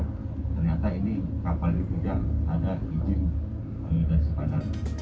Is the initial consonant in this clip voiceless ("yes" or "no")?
yes